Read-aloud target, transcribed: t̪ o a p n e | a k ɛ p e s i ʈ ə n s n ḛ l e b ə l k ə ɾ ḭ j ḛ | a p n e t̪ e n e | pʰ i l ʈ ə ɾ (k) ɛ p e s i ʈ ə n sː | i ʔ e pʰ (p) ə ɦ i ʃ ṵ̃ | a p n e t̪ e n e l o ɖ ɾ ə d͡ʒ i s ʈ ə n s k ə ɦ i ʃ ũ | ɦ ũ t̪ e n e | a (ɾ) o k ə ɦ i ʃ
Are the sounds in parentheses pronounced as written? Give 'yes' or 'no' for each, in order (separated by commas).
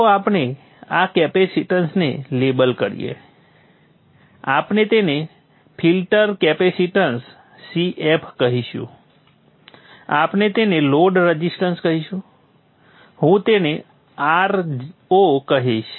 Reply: yes, no, yes